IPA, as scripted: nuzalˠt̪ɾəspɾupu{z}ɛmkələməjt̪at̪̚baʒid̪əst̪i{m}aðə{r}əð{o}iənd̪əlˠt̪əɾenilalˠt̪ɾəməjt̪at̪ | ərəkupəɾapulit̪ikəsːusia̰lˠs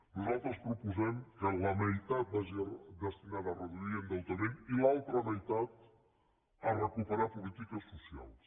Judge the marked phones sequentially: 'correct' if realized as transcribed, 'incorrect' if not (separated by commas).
correct, incorrect, correct, incorrect